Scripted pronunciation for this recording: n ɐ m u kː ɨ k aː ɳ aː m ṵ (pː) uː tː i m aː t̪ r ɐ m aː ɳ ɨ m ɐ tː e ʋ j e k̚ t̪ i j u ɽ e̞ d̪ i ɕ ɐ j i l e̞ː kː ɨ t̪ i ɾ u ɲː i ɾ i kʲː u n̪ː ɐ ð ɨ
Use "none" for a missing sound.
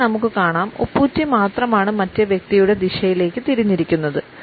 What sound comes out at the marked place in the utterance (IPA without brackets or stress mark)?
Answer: pː